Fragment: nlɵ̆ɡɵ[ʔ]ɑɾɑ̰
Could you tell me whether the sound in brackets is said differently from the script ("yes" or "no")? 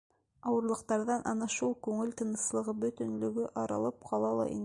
no